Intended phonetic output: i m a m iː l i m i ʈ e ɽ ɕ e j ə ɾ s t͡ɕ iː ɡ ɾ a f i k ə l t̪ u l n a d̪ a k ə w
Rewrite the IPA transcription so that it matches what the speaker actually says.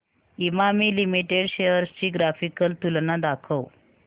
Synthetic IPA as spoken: i m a m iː l i m i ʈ e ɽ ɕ e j ə ɾ s t͡ɕ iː ɡ ɾ a f i k ə l t̪ u l n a d̪ a kʰ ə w